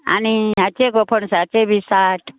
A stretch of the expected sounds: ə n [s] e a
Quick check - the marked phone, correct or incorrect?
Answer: correct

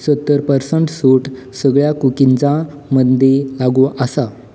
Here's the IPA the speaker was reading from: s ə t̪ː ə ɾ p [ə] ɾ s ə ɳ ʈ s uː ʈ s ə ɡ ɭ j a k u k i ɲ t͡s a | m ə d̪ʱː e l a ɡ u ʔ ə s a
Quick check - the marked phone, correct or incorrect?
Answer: correct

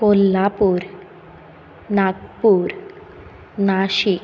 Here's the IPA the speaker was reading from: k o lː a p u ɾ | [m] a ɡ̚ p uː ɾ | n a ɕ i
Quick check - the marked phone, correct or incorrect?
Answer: incorrect: n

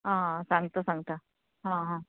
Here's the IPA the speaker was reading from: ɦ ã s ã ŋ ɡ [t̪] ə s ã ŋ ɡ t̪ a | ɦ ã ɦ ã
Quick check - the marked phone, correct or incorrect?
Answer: correct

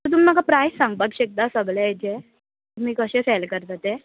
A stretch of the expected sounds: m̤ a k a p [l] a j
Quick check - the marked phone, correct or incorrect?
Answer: incorrect: ɾ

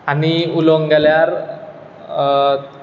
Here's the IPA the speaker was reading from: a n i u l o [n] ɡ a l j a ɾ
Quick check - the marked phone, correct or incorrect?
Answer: incorrect: ŋ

